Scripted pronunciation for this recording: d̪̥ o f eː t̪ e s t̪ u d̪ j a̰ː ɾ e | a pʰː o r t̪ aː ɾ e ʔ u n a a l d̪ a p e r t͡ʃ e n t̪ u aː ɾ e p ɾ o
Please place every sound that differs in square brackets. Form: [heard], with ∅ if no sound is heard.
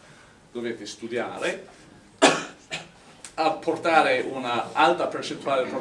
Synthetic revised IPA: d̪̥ o [v] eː t̪ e s t̪ u d̪ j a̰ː ɾ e | a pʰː o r t̪ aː ɾ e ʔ u n a a l [t̪] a p e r t͡ʃ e n t̪ u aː [l] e p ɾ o